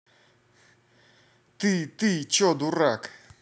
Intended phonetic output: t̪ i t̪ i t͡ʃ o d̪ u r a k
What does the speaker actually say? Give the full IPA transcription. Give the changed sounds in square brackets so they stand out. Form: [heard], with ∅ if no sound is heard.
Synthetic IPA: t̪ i t̪ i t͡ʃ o d̪ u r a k